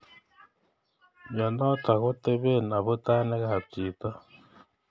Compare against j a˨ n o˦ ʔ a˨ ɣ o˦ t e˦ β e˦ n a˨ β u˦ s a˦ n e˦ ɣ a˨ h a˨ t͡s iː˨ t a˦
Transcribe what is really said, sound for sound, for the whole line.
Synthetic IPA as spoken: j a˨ n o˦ t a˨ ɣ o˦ t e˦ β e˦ n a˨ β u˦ t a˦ n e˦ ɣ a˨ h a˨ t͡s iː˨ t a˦

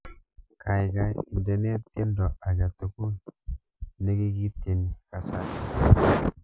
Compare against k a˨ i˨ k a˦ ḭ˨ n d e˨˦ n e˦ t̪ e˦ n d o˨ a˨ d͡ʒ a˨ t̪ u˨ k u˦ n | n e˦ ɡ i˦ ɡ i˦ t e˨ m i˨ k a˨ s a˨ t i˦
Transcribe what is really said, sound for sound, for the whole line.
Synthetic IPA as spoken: k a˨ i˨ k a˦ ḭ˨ n d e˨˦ n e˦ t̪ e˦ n d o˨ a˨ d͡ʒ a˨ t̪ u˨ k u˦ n | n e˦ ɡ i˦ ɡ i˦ t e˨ n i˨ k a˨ s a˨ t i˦

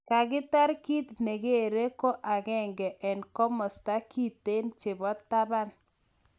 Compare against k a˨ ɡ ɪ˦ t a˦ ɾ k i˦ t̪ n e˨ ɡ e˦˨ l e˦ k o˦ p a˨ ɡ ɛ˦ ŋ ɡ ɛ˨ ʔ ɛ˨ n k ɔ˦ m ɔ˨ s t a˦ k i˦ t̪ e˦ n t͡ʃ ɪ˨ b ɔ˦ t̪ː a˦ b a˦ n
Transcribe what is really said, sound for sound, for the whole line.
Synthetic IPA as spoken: k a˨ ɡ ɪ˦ t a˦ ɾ k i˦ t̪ n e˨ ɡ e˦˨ ɾ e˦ k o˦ ʔ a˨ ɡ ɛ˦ ŋ ɡ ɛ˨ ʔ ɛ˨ n k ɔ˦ m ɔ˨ s t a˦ k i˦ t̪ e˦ n t͡ʃ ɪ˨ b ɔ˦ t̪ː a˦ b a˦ n

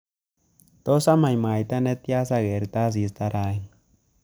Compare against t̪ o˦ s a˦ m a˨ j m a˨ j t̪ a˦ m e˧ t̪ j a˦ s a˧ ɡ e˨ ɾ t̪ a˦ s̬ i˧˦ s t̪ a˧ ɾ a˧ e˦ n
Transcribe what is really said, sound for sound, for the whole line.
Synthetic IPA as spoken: t̪ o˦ s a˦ m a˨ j m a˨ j t̪ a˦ n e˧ t̪ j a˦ s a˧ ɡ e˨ ɾ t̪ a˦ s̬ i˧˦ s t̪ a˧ ɾ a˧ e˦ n

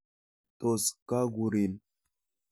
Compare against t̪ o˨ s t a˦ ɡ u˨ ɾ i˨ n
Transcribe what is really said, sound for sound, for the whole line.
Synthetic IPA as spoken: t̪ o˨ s k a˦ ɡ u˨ ɾ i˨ n

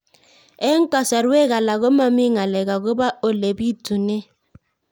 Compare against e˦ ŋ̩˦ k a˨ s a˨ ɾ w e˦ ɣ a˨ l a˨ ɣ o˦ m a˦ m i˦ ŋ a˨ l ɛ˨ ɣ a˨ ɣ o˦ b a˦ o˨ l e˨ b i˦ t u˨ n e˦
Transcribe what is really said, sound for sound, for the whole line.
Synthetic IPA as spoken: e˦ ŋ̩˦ k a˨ s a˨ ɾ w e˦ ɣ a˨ l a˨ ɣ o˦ m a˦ m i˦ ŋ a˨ l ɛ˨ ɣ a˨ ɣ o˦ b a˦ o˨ l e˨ b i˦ t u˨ n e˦

